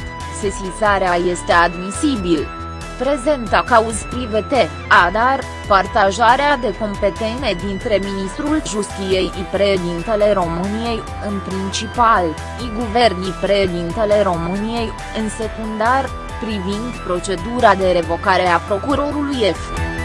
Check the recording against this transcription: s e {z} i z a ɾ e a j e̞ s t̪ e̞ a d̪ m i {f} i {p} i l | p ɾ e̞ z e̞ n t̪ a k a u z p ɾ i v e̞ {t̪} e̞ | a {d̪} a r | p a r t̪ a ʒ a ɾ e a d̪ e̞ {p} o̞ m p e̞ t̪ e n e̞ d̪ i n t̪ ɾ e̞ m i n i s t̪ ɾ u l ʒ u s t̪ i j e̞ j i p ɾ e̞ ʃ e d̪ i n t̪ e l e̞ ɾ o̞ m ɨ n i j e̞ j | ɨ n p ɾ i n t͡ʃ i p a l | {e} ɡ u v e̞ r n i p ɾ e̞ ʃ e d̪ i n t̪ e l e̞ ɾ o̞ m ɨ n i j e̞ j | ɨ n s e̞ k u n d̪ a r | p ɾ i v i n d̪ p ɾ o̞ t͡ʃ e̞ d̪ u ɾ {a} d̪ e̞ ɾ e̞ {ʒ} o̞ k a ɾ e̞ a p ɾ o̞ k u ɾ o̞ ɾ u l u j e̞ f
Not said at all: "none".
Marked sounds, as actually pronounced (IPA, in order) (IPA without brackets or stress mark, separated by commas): s, s, b, t̪, d̪, k, i, a, v